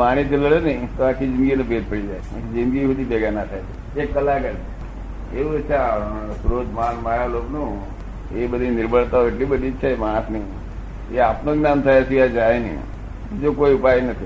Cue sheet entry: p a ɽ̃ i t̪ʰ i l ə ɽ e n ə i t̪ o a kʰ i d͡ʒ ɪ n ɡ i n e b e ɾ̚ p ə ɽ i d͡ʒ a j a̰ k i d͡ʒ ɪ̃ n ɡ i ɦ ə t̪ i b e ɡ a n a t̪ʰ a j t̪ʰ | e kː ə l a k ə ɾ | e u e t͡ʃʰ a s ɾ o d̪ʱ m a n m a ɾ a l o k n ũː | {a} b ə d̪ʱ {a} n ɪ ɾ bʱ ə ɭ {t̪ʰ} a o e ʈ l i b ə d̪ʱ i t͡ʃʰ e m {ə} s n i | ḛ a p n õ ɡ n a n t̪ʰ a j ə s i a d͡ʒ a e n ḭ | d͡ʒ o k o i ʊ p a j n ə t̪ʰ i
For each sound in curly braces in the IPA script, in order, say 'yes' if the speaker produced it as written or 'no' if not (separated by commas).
no, no, no, no